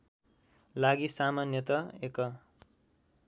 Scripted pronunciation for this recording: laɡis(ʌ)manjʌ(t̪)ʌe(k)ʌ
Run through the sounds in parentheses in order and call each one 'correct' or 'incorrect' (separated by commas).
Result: incorrect, correct, correct